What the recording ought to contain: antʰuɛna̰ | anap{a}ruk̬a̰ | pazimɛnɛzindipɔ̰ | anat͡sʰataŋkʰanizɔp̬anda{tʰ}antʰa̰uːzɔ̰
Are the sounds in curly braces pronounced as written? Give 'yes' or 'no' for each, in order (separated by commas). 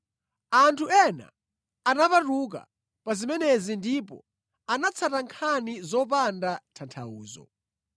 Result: yes, yes